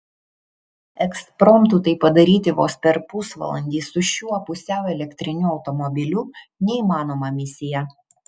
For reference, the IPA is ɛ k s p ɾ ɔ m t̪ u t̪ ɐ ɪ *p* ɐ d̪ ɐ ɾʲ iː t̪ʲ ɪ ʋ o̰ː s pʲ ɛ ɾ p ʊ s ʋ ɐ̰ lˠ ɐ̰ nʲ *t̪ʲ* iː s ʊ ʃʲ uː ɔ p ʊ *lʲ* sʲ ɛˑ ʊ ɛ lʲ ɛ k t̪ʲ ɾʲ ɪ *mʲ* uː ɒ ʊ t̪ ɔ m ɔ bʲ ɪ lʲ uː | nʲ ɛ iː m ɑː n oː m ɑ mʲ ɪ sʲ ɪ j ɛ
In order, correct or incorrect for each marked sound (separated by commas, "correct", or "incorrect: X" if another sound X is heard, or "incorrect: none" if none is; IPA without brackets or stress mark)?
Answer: correct, incorrect: d̪ʲ, incorrect: none, incorrect: nʲ